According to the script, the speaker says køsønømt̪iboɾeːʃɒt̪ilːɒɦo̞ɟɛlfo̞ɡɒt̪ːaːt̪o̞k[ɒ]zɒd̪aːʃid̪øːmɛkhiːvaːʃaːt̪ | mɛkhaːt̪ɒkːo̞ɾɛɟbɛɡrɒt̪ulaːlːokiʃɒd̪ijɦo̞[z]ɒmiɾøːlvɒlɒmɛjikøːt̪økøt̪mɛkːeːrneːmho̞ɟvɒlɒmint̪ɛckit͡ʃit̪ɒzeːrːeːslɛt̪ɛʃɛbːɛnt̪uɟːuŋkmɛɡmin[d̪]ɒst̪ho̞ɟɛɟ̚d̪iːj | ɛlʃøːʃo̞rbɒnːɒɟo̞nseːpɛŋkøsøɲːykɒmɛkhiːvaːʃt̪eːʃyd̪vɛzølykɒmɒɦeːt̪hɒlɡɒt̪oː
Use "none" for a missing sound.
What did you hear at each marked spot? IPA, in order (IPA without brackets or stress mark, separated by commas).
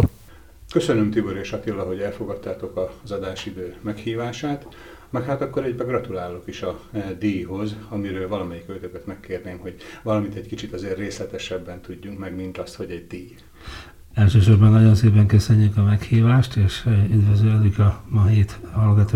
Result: ɒ, z, t̪